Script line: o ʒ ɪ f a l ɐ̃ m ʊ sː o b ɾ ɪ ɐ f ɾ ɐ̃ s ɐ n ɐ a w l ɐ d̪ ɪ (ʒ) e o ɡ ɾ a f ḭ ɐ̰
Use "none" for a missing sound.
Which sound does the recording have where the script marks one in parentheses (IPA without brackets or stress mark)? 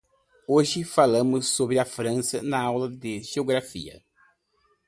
ʒ